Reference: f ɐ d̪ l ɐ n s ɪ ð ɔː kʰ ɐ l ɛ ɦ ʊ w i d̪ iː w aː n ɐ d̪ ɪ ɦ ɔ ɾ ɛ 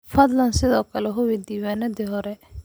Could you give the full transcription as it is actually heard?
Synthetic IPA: f ɐ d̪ l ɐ n s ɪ ð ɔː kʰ ɐ l ɛ ɦ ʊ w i d̪ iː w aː n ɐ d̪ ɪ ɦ ɔ ɾ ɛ